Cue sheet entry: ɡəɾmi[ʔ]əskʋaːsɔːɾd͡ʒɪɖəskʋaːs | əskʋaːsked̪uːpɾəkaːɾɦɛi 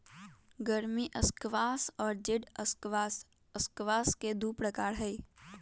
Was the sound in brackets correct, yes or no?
yes